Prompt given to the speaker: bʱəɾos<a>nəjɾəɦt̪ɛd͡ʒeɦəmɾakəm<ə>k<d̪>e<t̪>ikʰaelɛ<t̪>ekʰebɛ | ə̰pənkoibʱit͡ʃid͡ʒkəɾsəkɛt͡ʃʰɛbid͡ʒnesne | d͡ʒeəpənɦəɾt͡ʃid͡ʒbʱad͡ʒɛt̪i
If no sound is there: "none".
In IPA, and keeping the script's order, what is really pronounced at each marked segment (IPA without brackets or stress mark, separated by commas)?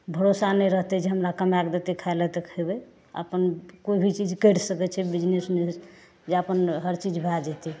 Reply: a, a, d̪, t̪, t̪